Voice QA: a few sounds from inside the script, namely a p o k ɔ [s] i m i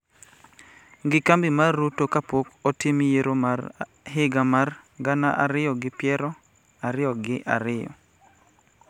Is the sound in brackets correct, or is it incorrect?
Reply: incorrect